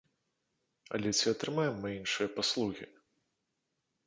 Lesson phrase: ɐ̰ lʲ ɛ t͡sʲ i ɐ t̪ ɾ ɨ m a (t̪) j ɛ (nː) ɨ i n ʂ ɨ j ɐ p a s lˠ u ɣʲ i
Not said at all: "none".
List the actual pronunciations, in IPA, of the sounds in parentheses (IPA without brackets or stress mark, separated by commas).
none, mː